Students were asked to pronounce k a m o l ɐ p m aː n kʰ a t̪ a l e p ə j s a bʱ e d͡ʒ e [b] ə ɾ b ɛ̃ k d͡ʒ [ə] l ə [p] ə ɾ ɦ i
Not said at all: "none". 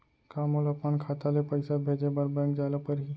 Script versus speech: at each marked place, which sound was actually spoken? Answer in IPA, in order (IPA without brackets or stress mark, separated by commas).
b, a, p